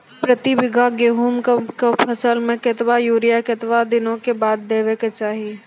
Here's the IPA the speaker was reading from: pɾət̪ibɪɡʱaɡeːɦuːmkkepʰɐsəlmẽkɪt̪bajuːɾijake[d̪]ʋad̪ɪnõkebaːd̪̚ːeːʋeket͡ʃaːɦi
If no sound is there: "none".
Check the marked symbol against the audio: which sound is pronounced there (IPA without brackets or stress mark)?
t̪